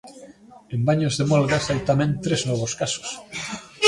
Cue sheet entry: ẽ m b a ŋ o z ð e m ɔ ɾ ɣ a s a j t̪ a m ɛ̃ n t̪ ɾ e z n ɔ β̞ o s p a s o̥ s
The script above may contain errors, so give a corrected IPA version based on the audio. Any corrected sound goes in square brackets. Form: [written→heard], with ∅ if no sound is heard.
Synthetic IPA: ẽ m b a [ŋ→ɲ] o z ð e m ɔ [ɾ→l] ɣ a s a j t̪ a m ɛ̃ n t̪ ɾ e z n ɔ β̞ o s [p→k] a s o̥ s